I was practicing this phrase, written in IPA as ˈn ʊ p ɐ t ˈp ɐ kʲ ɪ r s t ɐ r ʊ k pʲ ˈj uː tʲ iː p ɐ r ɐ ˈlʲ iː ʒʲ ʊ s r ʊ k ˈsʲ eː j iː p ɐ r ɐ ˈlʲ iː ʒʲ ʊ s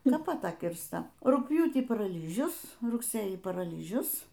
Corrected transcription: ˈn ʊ p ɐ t ˈt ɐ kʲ ɪ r s t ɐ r ʊ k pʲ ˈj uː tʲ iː p ɐ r ɐ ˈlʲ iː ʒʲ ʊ s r ʊ k ˈsʲ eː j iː p ɐ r ɐ ˈlʲ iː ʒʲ ʊ s

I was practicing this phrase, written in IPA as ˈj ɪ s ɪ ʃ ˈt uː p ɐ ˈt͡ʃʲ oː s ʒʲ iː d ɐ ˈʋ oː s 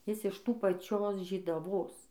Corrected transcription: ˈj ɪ s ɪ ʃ ˈt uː p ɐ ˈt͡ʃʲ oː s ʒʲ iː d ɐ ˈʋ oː s

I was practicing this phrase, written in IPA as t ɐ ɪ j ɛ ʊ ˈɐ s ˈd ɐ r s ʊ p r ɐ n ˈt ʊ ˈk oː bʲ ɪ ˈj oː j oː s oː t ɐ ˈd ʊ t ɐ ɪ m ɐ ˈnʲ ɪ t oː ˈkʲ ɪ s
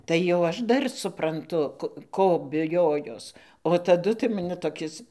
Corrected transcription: t ɐ ɪ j ɛ ʊ ˈɐ ʃ ˈd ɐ r s ʊ p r ɐ n ˈt ʊ ˈk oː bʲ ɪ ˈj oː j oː s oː t ɐ ˈd ʊ t ɐ ɪ m ɐ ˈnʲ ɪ t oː ˈkʲ ɪ s

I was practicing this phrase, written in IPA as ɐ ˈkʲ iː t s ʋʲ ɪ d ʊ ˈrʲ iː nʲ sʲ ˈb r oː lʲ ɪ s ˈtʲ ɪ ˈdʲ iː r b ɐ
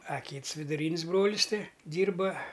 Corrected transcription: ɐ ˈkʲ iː t s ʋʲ ɪ d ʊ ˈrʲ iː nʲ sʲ ˈb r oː lʲ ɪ s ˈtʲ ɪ ˈdʲ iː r b ɐ

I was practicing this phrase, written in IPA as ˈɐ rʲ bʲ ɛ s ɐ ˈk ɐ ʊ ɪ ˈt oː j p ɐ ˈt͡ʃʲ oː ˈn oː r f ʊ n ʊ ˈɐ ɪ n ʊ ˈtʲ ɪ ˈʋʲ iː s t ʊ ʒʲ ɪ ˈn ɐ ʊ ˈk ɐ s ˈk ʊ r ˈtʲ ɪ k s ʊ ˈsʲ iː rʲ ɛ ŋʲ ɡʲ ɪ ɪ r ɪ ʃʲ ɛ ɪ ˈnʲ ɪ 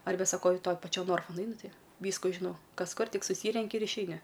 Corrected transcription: ˈɐ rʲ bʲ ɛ s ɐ ˈk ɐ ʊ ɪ ˈt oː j p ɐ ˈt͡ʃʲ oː ˈn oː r f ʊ n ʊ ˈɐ ɪ n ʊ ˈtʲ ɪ ˈʋʲ iː s k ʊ ʒʲ ɪ ˈn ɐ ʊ ˈk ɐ s ˈk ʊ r ˈtʲ ɪ k s ʊ ˈsʲ iː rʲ ɛ ŋʲ kʲ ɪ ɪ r ɪ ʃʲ ɛ ɪ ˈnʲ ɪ

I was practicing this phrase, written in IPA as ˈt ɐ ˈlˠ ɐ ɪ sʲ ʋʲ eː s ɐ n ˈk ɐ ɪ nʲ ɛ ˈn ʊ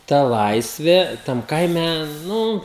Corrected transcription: ˈt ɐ ˈlˠ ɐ ɪ sʲ ʋʲ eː t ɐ m ˈk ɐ ɪ mʲ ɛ ˈn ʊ

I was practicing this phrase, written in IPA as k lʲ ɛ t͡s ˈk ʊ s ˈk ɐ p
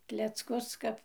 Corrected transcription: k lʲ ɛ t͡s ˈk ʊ s ˈk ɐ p

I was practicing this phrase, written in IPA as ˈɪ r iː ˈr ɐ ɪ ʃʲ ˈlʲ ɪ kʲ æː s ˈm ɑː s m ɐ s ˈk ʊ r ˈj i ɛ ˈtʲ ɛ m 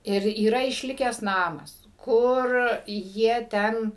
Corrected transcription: ˈɪ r iː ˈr ɐ ɪ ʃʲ ˈlʲ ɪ kʲ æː s ˈn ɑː m ɐ s ˈk ʊ r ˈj i ɛ ˈtʲ ɛ n

